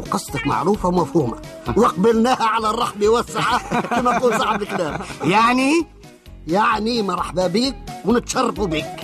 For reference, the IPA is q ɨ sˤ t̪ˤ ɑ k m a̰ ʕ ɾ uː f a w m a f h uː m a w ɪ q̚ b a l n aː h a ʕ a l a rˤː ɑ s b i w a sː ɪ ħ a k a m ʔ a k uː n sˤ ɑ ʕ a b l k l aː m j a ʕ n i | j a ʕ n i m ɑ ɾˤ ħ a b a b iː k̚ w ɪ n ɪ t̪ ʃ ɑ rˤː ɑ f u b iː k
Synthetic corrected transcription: q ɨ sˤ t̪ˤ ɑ k m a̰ ʕ ɾ uː f a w m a f h uː m a w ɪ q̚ b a l n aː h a ʕ a l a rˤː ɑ ħ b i w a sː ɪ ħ a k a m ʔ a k uː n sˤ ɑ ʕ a b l k l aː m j a ʕ n i | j a ʕ n i m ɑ ɾˤ ħ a b a b iː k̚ w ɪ n ɪ t̪ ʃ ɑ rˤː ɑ f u b iː k